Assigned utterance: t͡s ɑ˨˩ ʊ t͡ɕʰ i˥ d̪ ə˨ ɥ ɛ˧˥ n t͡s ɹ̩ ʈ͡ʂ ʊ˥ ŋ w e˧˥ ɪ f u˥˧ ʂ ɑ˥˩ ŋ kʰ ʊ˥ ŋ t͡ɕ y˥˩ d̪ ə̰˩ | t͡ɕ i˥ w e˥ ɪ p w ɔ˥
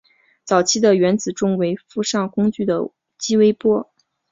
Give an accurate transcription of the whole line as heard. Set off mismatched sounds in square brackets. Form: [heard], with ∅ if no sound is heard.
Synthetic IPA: t͡s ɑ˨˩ ʊ t͡ɕʰ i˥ d̪ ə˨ ɥ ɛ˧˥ n t͡s ɹ̩ ʈ͡ʂ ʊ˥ ŋ w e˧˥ ɪ f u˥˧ ʂ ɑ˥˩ ŋ [k] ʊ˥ ŋ t͡ɕ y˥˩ d̪ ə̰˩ | t͡ɕ i˥ w e˥ ɪ p w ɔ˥

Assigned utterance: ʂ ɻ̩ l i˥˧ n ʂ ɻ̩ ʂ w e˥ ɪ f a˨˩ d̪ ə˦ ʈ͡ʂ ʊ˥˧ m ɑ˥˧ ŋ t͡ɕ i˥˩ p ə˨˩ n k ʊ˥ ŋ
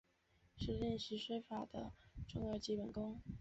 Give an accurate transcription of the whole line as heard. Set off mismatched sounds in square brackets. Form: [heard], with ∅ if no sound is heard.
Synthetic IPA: ʂ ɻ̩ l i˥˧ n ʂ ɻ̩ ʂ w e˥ ɪ f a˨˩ d̪ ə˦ ʈ͡ʂ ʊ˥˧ [ŋ] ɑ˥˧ [∅] t͡ɕ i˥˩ p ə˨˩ n k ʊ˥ ŋ

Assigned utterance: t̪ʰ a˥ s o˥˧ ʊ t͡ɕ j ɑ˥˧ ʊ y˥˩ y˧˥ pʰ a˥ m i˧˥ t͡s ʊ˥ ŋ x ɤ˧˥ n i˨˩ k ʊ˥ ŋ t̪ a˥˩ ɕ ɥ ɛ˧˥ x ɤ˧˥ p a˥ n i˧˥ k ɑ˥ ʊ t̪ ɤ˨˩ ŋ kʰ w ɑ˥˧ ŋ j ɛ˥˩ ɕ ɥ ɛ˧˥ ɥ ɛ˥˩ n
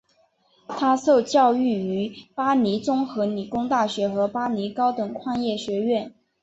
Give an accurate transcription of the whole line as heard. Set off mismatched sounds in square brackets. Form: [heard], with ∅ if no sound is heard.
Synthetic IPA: t̪ʰ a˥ s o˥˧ ʊ t͡ɕ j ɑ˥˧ ʊ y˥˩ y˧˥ [p] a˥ [n] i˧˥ t͡s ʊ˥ ŋ x ɤ˧˥ n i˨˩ k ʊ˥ ŋ t̪ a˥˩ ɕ ɥ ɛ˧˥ x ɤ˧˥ p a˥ n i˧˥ k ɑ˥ ʊ t̪ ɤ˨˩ ŋ kʰ w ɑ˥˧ ŋ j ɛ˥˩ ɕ ɥ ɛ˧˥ ɥ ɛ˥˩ n

